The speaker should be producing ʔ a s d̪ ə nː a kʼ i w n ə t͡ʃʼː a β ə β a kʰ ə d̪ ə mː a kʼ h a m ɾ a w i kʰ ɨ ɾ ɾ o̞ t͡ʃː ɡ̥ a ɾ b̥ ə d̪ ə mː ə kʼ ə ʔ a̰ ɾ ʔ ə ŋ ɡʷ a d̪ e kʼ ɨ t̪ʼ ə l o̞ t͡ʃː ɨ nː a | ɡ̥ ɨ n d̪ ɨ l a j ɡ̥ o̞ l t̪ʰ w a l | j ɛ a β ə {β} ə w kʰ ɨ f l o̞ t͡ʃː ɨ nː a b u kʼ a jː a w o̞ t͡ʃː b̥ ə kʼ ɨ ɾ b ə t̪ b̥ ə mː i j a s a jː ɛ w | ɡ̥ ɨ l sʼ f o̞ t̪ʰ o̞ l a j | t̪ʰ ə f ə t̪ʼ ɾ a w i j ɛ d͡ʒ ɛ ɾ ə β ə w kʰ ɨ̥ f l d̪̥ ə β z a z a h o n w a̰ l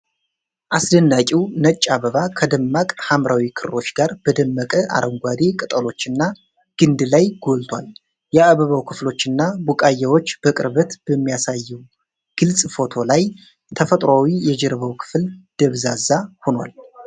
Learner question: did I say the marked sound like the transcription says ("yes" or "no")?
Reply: yes